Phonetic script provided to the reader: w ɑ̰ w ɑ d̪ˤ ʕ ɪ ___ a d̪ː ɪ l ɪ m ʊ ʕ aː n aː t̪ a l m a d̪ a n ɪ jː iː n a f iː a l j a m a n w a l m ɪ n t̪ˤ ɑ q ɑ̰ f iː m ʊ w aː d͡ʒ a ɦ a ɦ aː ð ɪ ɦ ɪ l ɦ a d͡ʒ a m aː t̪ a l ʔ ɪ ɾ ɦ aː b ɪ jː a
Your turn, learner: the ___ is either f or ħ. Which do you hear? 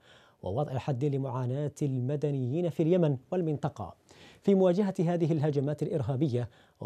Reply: ħ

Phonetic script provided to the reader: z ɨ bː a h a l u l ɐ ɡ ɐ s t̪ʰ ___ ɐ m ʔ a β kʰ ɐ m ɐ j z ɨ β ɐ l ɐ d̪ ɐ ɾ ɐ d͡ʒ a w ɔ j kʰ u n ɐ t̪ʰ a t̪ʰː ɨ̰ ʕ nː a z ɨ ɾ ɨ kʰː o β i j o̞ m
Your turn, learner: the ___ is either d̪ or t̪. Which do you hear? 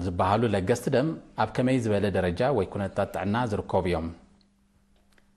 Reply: d̪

